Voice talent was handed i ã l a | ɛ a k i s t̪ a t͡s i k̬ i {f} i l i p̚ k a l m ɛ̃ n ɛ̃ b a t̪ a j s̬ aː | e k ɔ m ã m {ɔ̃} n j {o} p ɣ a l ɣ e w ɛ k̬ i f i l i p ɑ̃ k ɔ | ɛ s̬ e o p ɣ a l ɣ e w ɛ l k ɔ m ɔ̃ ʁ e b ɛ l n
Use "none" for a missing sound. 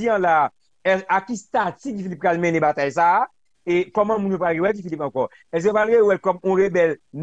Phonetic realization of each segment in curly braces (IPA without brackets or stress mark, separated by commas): f, ũ, o